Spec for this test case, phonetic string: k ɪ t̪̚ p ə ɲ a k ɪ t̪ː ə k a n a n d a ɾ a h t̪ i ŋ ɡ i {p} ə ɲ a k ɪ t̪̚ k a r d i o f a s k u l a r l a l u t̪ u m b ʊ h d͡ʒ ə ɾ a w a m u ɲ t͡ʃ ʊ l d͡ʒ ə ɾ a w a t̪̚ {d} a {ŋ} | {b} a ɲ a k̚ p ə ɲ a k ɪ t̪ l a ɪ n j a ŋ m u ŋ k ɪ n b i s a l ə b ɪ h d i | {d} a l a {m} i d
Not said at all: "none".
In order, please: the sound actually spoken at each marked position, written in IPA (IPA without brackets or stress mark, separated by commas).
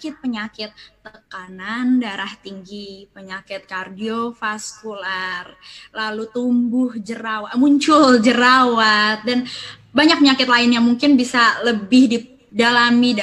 p, d, n, b, d, m